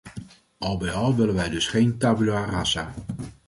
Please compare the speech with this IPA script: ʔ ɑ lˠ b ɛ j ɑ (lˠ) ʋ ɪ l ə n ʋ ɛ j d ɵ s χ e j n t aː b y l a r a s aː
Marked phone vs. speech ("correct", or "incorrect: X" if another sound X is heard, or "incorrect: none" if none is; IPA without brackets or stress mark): correct